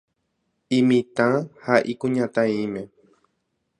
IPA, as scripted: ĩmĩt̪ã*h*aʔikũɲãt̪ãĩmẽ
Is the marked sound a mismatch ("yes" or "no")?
no